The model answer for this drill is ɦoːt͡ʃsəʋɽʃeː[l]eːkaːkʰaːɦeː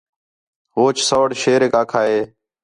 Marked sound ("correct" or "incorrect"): incorrect